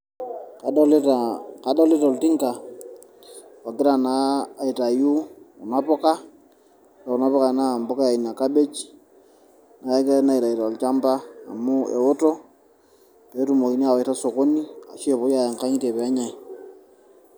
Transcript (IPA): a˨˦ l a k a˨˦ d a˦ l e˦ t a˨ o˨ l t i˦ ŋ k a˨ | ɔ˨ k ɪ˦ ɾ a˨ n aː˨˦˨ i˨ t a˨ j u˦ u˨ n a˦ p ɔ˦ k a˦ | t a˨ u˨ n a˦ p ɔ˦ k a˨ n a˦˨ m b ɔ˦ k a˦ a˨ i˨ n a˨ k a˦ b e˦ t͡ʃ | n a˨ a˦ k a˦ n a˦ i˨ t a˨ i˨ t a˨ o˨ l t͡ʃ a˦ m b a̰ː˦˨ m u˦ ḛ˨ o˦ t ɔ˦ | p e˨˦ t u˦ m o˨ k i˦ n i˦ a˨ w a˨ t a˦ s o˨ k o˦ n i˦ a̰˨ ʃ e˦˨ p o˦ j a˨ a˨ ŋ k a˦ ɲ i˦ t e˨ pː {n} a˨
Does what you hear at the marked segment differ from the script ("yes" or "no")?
yes